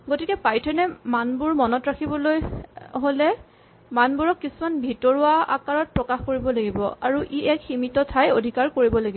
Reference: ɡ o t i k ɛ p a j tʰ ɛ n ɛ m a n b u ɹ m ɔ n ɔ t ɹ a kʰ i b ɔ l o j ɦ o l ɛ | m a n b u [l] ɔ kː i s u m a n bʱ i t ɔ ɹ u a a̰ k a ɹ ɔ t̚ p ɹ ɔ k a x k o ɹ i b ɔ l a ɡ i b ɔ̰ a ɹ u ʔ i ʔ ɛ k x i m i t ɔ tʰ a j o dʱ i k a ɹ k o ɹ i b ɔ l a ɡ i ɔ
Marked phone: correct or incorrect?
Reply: incorrect